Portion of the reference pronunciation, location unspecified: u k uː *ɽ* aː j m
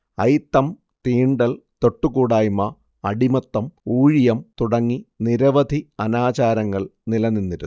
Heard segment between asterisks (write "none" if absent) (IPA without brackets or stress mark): ɽ